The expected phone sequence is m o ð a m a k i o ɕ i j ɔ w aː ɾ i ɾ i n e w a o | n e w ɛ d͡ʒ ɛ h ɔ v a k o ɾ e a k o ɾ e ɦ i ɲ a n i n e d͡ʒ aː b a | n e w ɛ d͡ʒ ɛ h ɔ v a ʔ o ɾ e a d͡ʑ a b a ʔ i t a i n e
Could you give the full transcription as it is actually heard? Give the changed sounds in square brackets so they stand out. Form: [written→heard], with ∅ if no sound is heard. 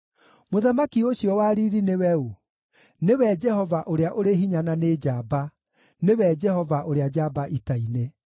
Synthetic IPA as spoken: m o ð a m a k i o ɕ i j ɔ w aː ɾ i ɾ i n e w [a→ɛ] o | n e w ɛ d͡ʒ ɛ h ɔ v a [k→ʔ] o ɾ e a [k→ʔ] o ɾ e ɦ i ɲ a n [i→a] n e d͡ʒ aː b a | n e w ɛ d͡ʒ ɛ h ɔ v a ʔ o ɾ e a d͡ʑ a b a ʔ i t a i n e

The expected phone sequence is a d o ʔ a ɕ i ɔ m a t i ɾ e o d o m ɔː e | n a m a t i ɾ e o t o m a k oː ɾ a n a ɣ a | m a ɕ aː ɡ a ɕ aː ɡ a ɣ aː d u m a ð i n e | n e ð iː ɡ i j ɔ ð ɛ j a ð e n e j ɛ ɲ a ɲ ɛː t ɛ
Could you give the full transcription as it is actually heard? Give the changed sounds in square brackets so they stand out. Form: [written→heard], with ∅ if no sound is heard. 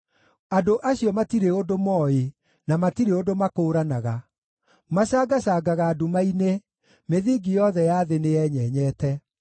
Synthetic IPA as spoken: a d o ʔ a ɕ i ɔ m a t i ɾ e o d o m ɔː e | n a m a t i ɾ e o [t→d] o m a k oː ɾ a n a ɣ a | m a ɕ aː ɡ a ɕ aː ɡ a ɣ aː d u m a [ð→∅] i n e | [n→m] e ð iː ɡ i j ɔ ð ɛ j a ð e n e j ɛ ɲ [a→ɛ] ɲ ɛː t ɛ

